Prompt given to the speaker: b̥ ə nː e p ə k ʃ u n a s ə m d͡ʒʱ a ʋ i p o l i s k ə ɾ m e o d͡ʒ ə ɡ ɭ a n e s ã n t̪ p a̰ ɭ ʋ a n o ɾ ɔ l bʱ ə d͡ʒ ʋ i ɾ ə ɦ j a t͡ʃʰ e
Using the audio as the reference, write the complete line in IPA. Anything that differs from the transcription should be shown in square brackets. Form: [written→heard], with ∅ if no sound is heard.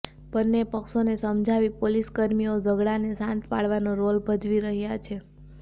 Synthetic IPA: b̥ ə nː e p ə k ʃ [u→o] n [a→e] s ə m d͡ʒʱ a ʋ i p o l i s k ə ɾ m [e→i] o d͡ʒ ə ɡ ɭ a n e s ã n t̪ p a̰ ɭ ʋ a n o ɾ [ɔ→o] l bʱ ə d͡ʒ ʋ i ɾ ə ɦ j a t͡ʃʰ e